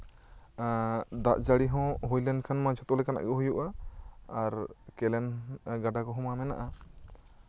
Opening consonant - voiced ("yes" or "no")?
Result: yes